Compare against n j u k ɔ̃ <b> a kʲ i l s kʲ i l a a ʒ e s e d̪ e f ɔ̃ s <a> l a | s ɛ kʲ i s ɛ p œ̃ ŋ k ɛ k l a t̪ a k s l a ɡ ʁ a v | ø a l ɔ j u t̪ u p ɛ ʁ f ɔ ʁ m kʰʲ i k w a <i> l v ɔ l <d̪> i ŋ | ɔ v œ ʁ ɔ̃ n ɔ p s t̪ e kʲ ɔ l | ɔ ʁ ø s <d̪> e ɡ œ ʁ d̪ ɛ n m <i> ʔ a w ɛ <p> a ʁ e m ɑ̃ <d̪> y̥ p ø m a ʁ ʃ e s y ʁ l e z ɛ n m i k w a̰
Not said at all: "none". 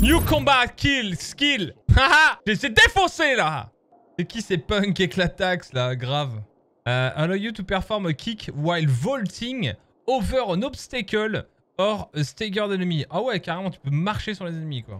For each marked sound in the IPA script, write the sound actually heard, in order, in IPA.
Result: b, e, j, t̪, t̪, i, k, t̪

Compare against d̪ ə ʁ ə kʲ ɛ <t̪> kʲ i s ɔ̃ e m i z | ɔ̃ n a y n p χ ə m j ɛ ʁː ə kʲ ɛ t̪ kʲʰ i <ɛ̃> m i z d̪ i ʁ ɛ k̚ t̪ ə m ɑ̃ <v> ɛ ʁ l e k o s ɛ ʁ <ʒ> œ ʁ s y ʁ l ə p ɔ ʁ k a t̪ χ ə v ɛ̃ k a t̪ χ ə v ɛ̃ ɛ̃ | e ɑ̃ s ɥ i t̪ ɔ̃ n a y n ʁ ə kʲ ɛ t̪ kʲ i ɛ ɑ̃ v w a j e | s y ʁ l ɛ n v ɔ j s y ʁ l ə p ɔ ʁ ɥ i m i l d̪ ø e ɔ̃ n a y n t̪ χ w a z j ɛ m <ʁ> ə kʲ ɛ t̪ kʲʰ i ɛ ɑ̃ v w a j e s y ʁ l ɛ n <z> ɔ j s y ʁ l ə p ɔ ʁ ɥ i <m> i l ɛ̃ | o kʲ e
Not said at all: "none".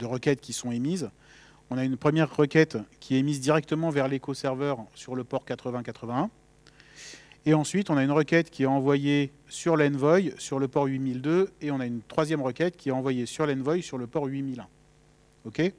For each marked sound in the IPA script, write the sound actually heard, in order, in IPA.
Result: t̪, ɛ, v, v, ʁ, v, m

